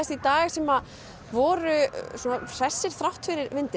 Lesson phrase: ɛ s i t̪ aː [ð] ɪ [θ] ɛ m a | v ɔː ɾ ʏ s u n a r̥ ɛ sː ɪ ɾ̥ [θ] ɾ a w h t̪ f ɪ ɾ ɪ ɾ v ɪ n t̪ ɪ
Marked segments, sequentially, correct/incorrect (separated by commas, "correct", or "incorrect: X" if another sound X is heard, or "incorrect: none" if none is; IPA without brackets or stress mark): incorrect: ɣ, incorrect: s, correct